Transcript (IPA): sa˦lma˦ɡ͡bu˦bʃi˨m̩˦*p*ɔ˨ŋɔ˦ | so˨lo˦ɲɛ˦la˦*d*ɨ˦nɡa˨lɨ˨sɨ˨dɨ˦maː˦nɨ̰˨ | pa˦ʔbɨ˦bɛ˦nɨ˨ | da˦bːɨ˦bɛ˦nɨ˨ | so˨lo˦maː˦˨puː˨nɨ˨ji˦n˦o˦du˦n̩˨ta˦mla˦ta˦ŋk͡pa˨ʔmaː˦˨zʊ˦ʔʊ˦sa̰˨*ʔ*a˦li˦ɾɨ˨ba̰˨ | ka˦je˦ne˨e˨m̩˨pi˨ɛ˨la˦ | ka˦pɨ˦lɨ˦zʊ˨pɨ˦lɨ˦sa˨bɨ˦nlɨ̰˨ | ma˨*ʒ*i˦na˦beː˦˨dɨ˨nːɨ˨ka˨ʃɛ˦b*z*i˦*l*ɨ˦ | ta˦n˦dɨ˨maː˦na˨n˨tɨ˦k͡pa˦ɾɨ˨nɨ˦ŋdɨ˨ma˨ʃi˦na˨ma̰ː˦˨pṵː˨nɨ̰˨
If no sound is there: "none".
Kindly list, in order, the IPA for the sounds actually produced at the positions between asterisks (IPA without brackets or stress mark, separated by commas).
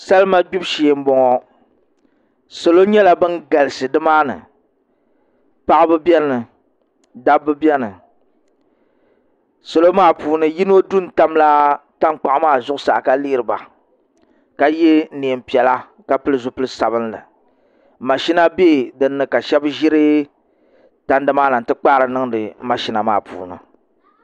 b, b, k, ʃ, ʒ, ɾ